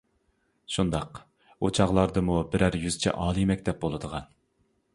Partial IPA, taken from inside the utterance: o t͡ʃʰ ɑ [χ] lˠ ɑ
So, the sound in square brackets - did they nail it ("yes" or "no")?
no